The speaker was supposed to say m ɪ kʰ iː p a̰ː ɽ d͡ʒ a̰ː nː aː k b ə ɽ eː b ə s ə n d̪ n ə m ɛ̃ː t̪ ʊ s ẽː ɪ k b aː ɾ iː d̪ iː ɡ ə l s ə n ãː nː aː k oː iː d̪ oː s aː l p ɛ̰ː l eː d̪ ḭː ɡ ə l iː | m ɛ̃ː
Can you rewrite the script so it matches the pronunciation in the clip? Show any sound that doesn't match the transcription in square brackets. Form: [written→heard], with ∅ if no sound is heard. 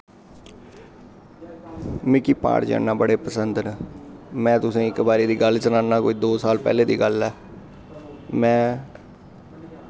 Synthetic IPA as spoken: m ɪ [kʰ→k] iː p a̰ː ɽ d͡ʒ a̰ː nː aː [k→∅] b ə ɽ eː [b→p] ə s ə n d̪ n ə m ɛ̃ː t̪ ʊ s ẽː ɪ k b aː ɾ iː d̪ iː ɡ ə l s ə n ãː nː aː k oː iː d̪ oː s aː l p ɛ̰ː l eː d̪ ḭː ɡ ə l [iː→ɛː] | m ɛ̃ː